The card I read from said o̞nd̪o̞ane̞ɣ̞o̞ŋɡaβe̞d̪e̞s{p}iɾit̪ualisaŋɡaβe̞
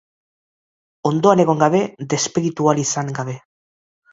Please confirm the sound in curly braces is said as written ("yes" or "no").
yes